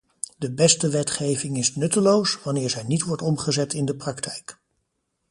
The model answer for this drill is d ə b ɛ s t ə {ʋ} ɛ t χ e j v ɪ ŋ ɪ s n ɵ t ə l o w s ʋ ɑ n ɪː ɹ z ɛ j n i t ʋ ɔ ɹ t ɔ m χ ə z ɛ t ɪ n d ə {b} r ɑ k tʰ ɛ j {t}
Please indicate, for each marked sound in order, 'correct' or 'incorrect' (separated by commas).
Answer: correct, incorrect, incorrect